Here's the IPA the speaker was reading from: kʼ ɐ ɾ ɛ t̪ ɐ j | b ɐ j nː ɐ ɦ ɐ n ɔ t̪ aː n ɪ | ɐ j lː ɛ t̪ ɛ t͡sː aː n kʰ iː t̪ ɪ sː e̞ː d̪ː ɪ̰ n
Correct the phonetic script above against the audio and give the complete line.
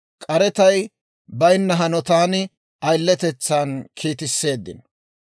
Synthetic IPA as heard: kʼ ɐ ɾ ɛ t̪ ɐ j | b ɐ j nː ɐ ɦ ɐ n ɔ t̪ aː n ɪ | ɐ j lː ɛ t̪ ɛ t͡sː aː n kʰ iː t̪ ɪ sː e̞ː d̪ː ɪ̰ n